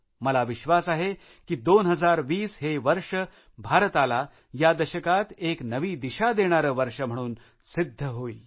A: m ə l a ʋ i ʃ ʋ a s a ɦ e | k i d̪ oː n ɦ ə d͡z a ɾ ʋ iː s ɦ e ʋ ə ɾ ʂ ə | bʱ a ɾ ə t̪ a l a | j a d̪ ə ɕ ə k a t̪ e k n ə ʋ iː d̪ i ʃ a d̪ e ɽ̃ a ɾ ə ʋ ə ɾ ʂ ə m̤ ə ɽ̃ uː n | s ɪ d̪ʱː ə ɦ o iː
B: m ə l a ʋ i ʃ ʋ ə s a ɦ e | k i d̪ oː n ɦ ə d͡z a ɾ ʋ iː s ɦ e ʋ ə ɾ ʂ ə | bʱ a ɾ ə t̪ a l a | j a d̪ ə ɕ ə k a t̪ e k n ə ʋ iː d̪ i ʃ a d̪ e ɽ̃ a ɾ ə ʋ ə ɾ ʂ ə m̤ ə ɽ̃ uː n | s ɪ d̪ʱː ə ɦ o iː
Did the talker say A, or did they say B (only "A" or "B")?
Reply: A